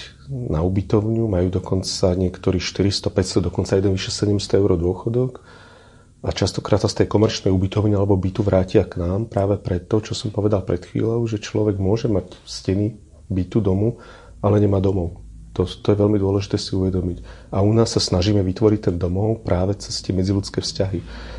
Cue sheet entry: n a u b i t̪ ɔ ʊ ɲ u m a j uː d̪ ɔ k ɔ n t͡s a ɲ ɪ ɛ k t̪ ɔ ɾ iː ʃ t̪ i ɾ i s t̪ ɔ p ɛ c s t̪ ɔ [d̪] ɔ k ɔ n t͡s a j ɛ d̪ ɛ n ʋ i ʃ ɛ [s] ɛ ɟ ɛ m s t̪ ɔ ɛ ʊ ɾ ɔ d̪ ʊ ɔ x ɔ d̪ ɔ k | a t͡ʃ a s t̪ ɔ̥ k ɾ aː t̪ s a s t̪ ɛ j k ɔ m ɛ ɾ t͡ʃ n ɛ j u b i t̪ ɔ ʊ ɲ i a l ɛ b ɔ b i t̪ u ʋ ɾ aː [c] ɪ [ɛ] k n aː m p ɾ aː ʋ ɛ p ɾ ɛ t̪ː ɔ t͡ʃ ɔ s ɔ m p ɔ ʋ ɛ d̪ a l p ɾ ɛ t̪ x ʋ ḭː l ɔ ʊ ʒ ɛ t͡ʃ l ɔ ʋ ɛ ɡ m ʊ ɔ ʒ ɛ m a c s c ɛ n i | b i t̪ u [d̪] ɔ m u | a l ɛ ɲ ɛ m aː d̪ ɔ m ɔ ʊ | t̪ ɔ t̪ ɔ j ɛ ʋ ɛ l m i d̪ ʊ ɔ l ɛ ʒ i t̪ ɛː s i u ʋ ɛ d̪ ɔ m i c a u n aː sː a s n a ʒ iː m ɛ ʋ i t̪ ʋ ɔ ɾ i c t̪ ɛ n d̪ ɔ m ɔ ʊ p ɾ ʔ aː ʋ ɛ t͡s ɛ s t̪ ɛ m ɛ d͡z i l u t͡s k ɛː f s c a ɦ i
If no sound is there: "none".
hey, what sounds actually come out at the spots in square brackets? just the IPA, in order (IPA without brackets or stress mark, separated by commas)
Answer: d̪, s, c, a, d̪